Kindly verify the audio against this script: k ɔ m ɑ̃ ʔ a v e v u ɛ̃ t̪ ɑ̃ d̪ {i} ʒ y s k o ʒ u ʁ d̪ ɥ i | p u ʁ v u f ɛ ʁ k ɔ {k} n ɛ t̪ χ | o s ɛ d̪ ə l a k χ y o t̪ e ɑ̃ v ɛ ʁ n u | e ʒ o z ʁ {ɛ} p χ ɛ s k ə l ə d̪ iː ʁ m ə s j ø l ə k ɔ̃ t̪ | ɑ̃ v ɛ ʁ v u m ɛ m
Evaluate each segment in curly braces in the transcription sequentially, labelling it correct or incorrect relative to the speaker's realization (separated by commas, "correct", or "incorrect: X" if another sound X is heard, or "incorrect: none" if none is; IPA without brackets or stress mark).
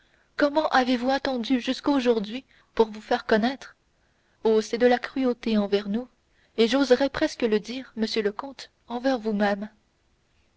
incorrect: y, incorrect: none, correct